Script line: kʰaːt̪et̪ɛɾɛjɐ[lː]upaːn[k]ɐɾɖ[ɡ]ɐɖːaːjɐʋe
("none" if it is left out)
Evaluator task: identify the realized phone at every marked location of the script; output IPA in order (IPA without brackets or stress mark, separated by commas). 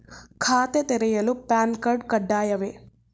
l, k, k